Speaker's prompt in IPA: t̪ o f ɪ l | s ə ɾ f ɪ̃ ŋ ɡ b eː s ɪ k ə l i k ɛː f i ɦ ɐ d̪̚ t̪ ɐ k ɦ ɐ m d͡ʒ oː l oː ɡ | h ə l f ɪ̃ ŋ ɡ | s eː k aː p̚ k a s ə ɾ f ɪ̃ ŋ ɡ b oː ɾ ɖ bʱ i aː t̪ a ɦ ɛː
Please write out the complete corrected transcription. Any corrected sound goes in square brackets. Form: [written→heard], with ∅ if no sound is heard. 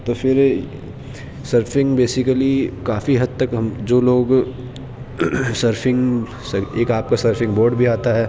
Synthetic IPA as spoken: t̪ o f ɪ [l→ɾ] | s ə ɾ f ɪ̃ ŋ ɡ b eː s ɪ k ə l i k [ɛː→aː] f i ɦ ɐ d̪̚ t̪ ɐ k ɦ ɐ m d͡ʒ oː l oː ɡ | [h→s] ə [l→ɾ] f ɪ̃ ŋ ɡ | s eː k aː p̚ k a s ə ɾ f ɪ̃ ŋ ɡ b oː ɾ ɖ bʱ i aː t̪ a ɦ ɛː